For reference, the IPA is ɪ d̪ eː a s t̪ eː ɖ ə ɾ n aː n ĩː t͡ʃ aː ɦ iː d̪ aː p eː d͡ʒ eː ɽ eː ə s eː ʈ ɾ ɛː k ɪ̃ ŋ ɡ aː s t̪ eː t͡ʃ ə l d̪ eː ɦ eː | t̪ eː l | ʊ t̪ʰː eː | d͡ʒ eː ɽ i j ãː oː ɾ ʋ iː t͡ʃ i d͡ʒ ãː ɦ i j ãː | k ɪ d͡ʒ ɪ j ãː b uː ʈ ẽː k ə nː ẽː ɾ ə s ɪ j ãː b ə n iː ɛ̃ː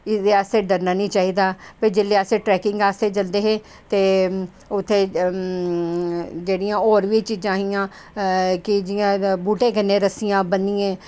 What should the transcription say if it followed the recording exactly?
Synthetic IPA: ɪ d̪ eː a s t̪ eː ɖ ə ɾ n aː n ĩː t͡ʃ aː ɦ iː d̪ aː p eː d͡ʒ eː l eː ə s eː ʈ ɾ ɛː k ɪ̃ ŋ ɡ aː s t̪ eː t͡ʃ ə l d̪ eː ɦ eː | t̪ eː | ʊ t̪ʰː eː | d͡ʒ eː ɽ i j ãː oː ɾ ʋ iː t͡ʃ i d͡ʒ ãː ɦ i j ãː | k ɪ d͡ʒ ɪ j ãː b uː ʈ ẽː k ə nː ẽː ɾ ə s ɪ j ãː b ə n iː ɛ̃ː